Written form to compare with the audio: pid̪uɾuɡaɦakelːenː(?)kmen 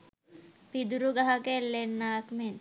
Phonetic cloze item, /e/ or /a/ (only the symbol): a